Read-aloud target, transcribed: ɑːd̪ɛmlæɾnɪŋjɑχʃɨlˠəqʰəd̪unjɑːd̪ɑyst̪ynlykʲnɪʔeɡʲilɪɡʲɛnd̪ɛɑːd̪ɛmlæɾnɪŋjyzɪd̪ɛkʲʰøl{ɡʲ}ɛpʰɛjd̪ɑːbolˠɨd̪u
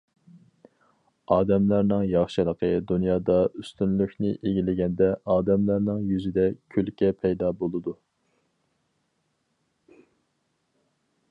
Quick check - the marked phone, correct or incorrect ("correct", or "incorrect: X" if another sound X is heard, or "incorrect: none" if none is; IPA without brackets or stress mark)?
incorrect: kʲ